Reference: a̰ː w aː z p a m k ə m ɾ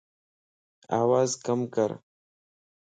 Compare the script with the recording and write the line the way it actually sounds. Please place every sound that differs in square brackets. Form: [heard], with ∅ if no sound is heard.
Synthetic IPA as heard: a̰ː w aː z [k] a m k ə [∅] ɾ